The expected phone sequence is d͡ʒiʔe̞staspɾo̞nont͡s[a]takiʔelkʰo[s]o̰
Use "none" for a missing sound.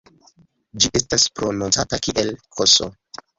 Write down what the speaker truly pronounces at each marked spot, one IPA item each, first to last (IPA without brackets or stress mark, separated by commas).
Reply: a, s